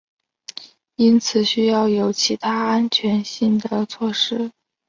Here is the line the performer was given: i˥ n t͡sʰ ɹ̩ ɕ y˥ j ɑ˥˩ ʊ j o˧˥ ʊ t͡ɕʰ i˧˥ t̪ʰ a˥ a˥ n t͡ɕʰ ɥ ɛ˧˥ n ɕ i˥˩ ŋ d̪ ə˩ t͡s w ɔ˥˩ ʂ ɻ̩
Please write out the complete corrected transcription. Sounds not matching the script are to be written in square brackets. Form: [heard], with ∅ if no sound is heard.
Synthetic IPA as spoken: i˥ n t͡sʰ ɹ̩ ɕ y˥ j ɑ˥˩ ʊ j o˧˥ ʊ t͡ɕʰ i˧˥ t̪ʰ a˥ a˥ n t͡ɕʰ ɥ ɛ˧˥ n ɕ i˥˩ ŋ d̪ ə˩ [t͡sʰ] w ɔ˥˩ ʂ ɻ̩